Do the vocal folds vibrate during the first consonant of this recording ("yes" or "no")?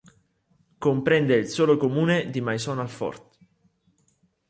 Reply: no